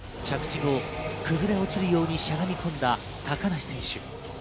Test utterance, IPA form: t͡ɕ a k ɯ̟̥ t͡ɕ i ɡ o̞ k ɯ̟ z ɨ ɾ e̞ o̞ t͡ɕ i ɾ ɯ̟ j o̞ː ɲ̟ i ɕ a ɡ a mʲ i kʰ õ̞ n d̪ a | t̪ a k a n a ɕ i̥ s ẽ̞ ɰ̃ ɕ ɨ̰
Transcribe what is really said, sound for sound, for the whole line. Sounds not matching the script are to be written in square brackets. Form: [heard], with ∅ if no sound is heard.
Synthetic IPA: t͡ɕ a k ɯ̟̥ t͡ɕ i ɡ o̞ k ɯ̟ z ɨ ɾ e̞ o̞ t͡ɕ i ɾ ɯ̟ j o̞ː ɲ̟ i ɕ a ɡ a mʲ i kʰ õ̞ n d̪ a | t̪ a k a n a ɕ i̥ s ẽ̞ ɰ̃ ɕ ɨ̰

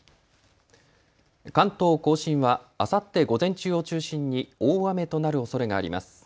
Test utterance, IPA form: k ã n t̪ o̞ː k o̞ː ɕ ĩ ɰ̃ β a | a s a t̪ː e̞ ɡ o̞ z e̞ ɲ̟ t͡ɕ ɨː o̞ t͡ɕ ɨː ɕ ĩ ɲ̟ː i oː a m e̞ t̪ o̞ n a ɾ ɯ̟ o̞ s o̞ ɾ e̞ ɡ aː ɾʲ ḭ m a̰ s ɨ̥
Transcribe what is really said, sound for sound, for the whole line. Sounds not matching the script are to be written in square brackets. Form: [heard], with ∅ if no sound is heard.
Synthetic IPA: k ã n t̪ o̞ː k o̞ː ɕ ĩ ɰ̃ β a | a s a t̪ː e̞ ɡ o̞ z [ẽ̞] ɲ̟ t͡ɕ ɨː o̞ t͡ɕ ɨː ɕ ĩ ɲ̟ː i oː a m e̞ t̪ o̞ n a ɾ ɯ̟ o̞ s o̞ ɾ e̞ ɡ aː ɾʲ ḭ m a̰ s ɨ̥

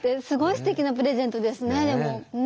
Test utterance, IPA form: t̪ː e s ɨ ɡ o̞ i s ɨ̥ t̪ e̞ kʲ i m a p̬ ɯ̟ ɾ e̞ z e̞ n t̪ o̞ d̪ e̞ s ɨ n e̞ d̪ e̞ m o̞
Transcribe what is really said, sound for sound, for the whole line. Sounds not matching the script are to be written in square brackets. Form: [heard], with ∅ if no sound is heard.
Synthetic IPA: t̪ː e s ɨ ɡ o̞ i s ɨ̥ t̪ e̞ kʲ i [n] a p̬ ɯ̟ ɾ e̞ z [ẽ̞] n t̪ o̞ d̪ e̞ s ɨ n e̞ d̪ e̞ m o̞

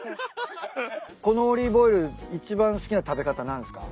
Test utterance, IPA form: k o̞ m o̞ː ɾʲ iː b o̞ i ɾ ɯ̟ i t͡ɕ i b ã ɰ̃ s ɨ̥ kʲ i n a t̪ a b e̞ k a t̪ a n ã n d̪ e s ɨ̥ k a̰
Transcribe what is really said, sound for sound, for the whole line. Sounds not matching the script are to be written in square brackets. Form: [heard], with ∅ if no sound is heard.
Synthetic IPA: k o̞ [n] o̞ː ɾʲ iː b o̞ i ɾ ɯ̟ i t͡ɕ i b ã ɰ̃ s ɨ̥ kʲ i n a t̪ a b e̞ k a t̪ a n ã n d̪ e s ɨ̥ k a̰

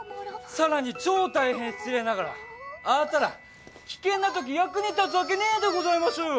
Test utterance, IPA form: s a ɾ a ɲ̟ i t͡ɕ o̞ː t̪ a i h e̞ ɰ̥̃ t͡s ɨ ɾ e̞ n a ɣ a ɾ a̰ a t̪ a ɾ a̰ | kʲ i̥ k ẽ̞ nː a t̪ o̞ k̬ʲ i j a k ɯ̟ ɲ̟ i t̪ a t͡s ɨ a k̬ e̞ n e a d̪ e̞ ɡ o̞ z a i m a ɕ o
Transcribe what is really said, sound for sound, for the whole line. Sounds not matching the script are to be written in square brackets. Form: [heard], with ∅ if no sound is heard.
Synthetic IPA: s a ɾ a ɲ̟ i t͡ɕ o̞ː t̪ a i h [ẽ̞] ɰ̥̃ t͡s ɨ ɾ e̞ n a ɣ a ɾ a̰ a t̪ a ɾ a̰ | kʲ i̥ k ẽ̞ nː a t̪ o̞ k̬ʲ i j a k ɯ̟ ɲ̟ i t̪ a t͡s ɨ a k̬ e̞ n e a d̪ e̞ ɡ o̞ z a i m a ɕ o

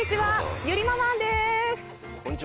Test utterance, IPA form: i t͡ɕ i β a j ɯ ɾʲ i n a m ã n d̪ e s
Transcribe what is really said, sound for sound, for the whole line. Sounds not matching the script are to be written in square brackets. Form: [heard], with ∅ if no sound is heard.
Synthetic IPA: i t͡ɕ i β a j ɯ ɾʲ i [m] a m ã n d̪ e s

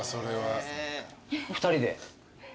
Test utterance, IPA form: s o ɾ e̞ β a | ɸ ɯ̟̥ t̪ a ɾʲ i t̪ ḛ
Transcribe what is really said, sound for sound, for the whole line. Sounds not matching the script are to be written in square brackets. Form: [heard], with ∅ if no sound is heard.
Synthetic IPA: s o ɾ e̞ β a | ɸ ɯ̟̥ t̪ a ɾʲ i [d̪] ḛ

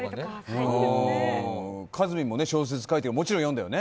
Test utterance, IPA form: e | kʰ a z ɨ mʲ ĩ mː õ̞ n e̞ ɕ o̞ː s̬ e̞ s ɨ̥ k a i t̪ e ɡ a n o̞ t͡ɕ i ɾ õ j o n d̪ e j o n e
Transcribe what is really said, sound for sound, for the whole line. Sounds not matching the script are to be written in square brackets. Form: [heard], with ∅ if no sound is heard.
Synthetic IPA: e | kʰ a z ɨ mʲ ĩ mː [o̞] n e̞ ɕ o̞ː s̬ e̞ [t͡s] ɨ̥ k a i t̪ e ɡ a [m] o̞ t͡ɕ i ɾ õ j o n d̪ [a] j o n e

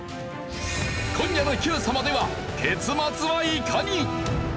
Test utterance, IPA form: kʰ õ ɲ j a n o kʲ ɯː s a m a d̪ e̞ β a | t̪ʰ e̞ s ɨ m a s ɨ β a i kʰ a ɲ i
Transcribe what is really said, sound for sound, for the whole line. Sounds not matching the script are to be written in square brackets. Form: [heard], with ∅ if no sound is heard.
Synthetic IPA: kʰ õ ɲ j a n o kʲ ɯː s a m a d̪ e̞ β a | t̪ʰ e̞ [t͡s] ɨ m a [t͡s] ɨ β a i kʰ a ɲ i

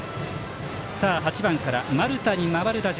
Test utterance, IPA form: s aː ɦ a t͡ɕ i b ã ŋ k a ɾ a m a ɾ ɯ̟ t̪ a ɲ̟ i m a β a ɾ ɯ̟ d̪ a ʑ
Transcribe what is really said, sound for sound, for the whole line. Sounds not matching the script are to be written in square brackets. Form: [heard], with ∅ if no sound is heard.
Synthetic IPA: s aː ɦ a t͡ɕ i b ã ŋ k a ɾ a m a ɾ ɯ̟ t̪ a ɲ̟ i m a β a ɾ ɯ̟ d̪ a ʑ

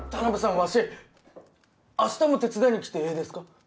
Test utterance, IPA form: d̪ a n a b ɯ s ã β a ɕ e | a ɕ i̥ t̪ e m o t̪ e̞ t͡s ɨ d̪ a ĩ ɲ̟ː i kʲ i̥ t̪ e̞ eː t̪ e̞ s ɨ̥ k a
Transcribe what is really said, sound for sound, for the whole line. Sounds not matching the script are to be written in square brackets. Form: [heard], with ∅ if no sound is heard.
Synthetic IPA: [t̪] a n a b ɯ s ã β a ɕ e | a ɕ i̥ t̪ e m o t̪ e̞ t͡s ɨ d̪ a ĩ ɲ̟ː i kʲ i̥ t̪ e̞ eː [d̪] e̞ s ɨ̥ k a

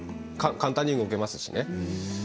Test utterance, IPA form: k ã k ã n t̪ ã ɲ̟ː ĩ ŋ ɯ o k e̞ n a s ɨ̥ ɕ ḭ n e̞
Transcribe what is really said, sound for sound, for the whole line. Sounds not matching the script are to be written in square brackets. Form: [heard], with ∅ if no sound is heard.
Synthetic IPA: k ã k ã n t̪ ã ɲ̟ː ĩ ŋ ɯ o k e̞ [m] a s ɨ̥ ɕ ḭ n e̞

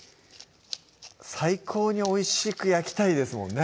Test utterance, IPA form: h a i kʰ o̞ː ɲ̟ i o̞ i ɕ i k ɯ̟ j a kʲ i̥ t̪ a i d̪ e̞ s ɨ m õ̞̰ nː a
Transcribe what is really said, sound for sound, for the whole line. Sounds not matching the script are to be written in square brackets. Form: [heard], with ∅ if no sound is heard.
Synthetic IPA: [s] a i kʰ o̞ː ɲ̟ i o̞ i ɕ i k ɯ̟ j a kʲ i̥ t̪ a i d̪ e̞ s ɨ m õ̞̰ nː [e]

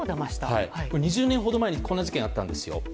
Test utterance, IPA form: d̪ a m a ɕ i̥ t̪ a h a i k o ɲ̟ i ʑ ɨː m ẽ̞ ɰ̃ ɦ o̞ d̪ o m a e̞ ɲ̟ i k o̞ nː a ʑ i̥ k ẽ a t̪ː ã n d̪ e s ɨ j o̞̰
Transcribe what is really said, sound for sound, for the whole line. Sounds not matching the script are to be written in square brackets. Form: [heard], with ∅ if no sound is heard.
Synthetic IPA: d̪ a m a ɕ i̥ t̪ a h a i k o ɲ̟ i ʑ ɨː [n] ẽ̞ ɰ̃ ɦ o̞ d̪ o m a e̞ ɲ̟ i k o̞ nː a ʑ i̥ k ẽ a t̪ː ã n d̪ e s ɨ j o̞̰

